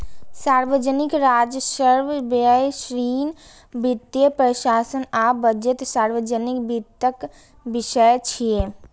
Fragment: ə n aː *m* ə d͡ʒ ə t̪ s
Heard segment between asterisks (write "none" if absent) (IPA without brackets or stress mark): b